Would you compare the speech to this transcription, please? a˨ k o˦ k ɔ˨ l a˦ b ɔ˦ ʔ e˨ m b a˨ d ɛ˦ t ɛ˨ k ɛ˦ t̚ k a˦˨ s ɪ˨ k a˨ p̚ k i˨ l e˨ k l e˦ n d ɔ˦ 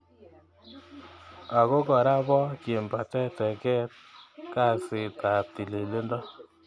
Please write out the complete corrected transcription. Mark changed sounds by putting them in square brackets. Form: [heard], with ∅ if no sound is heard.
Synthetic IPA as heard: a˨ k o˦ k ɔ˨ [ɾ] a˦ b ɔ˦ [k] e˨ m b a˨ [t] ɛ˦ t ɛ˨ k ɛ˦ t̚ k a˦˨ s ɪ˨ [t] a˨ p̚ [t] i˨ l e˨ [∅] l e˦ n d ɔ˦